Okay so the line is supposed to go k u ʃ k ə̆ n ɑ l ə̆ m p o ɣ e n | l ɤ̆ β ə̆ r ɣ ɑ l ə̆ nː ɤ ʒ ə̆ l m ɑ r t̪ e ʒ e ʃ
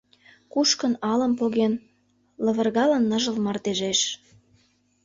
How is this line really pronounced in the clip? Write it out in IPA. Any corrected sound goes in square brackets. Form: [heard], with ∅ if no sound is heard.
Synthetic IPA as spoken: k u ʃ k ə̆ n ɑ l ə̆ m p o ɣ e n | l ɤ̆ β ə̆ r ɣ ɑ l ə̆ nː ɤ ʒ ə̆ l m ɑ r t̪ e ʒ e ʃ